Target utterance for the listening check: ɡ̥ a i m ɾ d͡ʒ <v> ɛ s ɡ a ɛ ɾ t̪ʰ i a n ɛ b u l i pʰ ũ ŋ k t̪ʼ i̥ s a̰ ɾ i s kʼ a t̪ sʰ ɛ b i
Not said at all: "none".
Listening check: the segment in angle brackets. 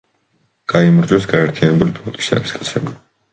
w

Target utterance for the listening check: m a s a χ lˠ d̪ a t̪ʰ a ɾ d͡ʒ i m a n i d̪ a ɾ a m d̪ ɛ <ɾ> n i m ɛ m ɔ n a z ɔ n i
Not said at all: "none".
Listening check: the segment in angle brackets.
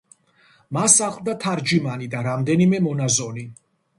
none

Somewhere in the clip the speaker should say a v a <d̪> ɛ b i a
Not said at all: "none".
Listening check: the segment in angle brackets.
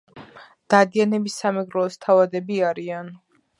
d̪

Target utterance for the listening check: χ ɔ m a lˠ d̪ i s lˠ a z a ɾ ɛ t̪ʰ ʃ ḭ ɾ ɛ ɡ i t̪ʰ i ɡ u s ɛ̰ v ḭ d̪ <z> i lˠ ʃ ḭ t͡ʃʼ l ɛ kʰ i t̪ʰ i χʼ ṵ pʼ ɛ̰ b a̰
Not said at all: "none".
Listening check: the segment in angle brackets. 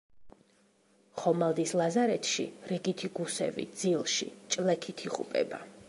z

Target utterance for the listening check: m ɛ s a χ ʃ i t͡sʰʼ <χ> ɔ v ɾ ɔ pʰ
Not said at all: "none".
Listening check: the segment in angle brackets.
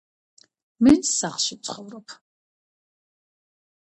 χ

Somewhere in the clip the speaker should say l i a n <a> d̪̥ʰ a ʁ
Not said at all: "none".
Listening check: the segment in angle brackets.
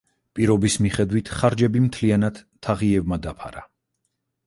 a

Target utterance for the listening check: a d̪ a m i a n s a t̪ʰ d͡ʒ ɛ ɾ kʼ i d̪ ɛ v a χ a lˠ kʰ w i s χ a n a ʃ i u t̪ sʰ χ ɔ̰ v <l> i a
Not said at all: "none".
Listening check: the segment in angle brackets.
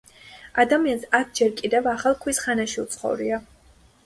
ɾ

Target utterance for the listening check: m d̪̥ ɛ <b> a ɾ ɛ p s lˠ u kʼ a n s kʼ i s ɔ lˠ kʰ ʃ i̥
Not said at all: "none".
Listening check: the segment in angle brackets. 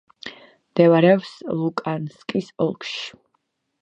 v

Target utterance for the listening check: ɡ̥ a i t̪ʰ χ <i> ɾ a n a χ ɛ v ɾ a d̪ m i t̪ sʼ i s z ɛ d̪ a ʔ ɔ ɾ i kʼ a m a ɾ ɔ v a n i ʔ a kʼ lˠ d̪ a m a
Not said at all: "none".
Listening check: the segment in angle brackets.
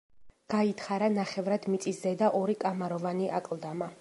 a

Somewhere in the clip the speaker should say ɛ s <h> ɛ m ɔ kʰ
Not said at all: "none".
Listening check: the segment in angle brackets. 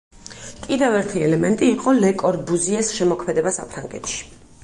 ʃ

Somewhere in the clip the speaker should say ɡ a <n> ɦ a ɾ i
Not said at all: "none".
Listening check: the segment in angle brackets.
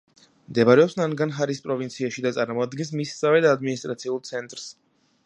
n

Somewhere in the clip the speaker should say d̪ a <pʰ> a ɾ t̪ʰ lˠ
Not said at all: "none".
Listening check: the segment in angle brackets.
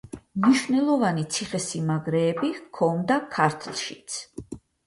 kʰ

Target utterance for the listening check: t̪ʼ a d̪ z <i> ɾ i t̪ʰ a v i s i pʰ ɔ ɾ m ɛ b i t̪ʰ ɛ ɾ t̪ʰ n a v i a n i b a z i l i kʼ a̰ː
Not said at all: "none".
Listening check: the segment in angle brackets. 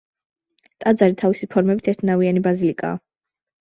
a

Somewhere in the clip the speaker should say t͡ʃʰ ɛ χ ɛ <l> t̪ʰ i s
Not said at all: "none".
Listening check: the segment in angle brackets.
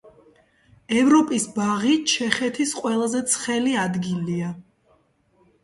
none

